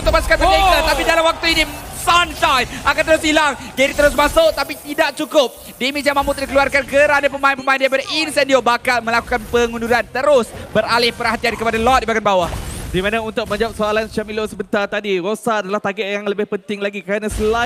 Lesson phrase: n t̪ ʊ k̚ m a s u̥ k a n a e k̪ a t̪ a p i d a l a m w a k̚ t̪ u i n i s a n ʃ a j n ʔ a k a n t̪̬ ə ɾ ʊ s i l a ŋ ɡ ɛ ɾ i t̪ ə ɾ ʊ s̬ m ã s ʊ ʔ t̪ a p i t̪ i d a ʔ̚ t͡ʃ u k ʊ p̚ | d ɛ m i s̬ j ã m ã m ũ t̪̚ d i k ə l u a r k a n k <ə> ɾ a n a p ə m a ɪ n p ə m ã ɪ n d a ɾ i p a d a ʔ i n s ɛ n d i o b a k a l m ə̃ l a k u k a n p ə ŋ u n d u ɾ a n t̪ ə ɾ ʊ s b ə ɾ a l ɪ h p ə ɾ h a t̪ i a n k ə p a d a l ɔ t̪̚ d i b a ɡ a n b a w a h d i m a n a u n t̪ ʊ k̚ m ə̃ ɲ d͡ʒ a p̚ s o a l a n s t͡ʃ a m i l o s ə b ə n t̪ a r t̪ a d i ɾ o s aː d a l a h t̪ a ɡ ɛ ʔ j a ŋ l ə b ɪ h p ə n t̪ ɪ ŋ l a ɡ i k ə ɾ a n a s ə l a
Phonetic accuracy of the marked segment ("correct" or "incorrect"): correct